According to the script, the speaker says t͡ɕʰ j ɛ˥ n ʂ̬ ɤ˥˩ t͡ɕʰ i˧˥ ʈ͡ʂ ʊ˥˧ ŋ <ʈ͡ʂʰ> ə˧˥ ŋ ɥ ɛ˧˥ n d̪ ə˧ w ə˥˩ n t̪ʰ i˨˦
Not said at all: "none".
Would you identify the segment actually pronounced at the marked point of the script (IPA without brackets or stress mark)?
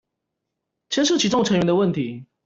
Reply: ʈ͡ʂʰ